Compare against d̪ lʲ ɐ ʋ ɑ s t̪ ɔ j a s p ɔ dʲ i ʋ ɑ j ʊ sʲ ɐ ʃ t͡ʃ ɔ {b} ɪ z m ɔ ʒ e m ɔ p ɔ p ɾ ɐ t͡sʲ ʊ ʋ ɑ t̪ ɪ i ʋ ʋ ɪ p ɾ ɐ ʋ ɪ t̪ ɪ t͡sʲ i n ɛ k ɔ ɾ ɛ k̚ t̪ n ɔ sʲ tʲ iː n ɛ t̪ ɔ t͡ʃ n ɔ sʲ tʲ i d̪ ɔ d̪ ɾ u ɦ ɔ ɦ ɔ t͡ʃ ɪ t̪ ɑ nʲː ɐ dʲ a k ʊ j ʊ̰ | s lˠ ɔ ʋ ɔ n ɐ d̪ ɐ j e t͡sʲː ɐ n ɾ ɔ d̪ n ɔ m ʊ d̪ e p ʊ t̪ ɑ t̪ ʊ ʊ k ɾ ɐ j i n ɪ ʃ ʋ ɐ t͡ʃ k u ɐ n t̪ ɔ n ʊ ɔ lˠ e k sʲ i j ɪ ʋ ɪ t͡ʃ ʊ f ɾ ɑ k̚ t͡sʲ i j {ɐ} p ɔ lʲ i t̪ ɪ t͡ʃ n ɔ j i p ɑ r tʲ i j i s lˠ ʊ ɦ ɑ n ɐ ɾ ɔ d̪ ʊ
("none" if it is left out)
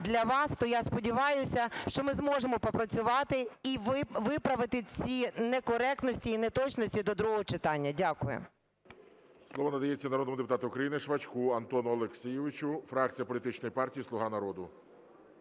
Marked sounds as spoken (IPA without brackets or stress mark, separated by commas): m, ɐ